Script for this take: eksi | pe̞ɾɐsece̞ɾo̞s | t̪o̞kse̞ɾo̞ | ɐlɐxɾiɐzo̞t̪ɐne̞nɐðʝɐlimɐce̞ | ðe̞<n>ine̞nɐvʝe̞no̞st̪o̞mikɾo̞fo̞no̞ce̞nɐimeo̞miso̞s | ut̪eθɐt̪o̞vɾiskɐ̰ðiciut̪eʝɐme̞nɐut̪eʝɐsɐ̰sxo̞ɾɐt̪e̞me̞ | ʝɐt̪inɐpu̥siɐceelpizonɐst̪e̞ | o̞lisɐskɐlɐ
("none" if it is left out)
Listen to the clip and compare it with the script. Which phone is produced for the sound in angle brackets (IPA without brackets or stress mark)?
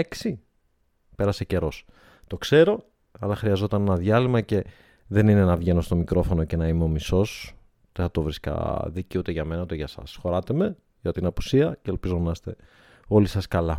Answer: n